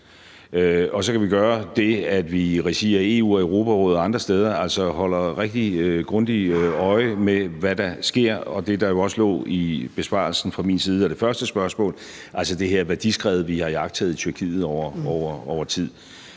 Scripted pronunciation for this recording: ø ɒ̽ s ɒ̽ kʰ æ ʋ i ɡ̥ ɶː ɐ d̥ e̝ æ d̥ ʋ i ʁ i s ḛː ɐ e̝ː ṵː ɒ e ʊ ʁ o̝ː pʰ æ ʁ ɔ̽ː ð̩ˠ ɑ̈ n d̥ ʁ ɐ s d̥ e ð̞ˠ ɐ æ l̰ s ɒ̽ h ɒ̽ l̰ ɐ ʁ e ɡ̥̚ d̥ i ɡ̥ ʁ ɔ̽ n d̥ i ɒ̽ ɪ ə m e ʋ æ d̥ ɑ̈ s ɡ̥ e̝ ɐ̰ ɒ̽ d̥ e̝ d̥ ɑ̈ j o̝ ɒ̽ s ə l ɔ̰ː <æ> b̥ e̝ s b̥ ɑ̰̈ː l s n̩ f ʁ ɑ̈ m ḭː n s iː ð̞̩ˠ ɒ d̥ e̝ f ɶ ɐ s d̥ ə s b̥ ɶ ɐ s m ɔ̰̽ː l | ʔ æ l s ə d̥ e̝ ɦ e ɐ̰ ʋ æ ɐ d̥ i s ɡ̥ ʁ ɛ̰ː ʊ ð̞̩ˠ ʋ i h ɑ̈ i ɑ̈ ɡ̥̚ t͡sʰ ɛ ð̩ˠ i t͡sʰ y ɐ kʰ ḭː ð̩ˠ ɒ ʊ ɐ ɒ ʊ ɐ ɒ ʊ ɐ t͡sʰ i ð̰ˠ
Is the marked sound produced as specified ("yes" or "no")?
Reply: no